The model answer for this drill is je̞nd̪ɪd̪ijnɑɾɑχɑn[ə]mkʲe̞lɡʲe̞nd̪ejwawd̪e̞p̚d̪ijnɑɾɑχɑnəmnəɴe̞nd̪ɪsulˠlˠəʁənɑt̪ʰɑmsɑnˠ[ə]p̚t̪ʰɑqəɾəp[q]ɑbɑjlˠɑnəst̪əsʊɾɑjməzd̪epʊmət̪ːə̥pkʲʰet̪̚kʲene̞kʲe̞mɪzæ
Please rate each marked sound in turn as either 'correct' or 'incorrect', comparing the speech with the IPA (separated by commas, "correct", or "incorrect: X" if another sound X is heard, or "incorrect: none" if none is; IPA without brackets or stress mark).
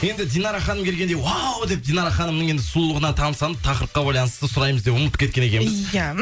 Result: correct, correct, correct